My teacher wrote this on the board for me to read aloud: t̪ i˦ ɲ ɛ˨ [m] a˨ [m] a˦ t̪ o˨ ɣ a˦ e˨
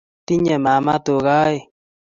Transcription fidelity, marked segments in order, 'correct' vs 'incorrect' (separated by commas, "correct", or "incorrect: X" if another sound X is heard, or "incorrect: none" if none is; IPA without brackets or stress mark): correct, correct